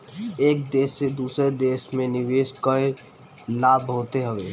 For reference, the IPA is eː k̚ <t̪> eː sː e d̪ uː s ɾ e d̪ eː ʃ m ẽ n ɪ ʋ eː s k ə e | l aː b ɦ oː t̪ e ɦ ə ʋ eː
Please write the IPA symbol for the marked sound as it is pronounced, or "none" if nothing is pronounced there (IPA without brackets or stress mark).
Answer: d̪